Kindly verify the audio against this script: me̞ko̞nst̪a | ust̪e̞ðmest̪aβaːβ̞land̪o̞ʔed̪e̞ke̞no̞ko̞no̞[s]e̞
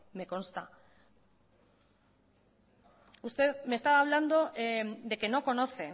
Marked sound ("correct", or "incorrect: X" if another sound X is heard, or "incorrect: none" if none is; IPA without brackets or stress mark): incorrect: θ